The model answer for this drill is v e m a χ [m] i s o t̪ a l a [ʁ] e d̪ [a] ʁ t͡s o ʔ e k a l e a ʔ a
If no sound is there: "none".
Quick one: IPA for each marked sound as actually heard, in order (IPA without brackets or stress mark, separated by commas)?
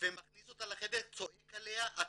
n, χ, e